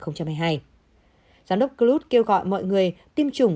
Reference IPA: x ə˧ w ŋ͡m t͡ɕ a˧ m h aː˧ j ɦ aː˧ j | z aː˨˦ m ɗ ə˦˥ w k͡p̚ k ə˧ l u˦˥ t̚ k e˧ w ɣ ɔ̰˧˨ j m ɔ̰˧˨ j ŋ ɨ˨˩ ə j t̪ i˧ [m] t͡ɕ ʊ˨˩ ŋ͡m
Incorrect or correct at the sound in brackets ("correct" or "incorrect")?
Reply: correct